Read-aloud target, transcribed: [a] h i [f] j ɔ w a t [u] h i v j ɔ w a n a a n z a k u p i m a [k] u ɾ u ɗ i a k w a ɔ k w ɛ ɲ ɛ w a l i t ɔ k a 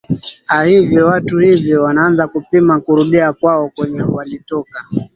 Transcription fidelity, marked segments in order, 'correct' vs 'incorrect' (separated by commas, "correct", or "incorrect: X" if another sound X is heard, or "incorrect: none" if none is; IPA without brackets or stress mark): correct, incorrect: v, correct, correct